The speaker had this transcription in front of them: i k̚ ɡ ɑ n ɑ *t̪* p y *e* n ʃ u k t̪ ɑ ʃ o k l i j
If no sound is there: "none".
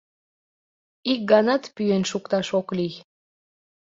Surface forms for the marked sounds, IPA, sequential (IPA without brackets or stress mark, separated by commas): t̪, e